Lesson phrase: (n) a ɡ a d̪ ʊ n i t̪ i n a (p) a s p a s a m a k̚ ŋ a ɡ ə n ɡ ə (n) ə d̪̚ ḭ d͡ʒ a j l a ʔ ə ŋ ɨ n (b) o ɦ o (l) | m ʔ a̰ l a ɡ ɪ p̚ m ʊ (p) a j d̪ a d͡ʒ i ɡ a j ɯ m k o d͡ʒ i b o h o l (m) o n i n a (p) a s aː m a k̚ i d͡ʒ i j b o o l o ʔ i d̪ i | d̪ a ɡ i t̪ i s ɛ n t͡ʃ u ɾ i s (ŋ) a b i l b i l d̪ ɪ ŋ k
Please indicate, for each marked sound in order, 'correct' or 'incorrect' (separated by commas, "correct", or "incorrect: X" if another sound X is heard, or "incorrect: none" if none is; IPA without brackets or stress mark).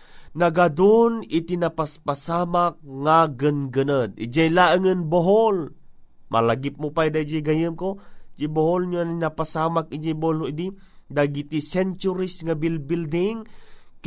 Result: correct, correct, correct, correct, correct, correct, incorrect: ɲ, correct, correct